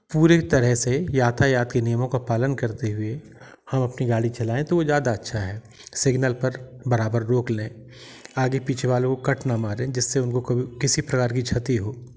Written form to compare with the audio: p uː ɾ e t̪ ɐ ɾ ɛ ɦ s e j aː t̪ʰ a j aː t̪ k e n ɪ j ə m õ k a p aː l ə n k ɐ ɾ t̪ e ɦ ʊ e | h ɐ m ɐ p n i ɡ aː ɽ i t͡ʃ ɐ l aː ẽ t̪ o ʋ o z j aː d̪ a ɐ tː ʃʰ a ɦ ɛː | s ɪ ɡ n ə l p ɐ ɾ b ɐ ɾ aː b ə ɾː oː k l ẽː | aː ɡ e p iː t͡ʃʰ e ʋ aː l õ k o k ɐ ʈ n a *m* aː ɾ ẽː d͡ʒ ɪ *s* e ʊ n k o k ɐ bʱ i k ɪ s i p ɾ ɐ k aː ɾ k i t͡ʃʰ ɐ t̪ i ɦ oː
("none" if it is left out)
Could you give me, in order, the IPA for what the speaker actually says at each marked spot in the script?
m, sː

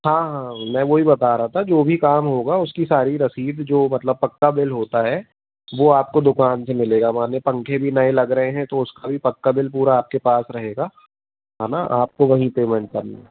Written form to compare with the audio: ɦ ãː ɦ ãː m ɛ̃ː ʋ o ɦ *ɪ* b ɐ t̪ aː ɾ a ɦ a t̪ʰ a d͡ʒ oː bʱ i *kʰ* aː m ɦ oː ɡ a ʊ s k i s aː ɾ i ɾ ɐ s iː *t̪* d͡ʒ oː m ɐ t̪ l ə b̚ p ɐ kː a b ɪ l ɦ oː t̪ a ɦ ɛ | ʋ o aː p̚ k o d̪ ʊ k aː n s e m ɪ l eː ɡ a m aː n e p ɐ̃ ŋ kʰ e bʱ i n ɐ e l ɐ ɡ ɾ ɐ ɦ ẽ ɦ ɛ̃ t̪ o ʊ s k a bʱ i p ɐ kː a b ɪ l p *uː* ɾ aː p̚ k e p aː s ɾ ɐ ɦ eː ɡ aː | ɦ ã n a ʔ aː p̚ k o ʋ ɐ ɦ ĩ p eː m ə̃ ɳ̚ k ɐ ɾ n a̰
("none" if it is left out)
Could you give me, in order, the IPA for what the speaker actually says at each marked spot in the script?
i, k, d̪, uː

